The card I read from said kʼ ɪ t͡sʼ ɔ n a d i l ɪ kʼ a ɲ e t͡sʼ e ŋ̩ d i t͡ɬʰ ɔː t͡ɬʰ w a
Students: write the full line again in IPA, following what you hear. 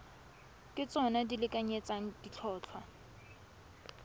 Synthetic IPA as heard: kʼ ɪ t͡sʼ ɔ n a d i l ɪ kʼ a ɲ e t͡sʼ a ŋ̩ d i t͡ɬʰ ɔː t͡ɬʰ w a

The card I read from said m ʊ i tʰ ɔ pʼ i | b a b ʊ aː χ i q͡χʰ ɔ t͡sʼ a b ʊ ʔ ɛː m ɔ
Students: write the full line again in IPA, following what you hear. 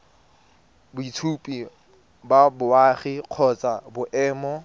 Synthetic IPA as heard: b ʊ i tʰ u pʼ i | b a b ʊ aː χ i q͡χʰ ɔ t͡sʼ a b ʊ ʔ ɛː m ɔ

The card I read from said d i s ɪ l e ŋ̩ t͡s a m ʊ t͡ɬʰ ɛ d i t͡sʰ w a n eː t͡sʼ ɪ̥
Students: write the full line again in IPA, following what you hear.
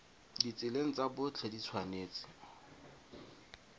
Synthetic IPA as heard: d i t͡s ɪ l e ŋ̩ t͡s a b ʊ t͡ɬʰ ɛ d i t͡sʰ w a n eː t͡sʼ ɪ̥

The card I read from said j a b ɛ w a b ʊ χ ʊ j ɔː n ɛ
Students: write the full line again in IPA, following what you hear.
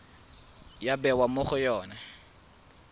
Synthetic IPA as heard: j a b ɛ w a m ʊ χ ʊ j ɔː n a

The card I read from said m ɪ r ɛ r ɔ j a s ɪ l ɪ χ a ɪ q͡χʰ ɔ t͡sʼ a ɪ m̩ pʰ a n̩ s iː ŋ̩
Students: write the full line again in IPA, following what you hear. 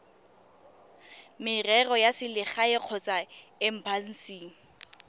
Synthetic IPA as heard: m ɪ r ɛ r ɔ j a s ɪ l ɪ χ a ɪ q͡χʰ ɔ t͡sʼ a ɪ m̩ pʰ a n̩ s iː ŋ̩

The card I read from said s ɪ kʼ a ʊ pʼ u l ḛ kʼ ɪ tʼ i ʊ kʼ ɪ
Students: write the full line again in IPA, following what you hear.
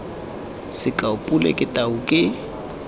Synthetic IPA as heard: s ɪ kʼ a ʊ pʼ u l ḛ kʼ ɪ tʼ a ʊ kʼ ɪ

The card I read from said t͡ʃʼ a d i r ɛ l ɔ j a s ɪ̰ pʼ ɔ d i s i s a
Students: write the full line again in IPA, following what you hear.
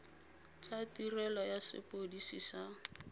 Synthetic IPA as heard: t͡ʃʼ a t i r ɛ l ɔ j a s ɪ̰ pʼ o d i s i s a

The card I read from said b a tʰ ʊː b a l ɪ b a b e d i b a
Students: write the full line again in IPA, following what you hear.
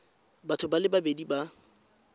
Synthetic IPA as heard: b a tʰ ʊ b a l ɪ b a b e d i b a

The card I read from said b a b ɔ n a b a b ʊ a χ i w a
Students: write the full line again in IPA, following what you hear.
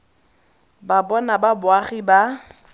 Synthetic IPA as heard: b a b ɔ n a b a b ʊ a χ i b a

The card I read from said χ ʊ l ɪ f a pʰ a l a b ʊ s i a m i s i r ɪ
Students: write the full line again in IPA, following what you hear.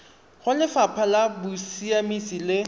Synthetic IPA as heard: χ ʊ l ɪ f a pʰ a l a b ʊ s i a m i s i l ɪ

